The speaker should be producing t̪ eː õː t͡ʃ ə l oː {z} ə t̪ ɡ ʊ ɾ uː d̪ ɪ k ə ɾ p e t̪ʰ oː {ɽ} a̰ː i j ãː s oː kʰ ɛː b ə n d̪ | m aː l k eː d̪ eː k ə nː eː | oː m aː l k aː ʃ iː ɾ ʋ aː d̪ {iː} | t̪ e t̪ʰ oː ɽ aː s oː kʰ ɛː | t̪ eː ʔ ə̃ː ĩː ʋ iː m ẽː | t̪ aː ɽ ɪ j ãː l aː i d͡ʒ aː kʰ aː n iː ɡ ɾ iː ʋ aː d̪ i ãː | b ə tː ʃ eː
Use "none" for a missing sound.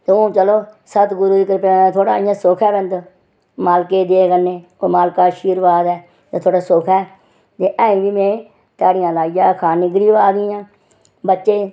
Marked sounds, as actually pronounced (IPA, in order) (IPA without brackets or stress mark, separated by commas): s, ɽ, ɛː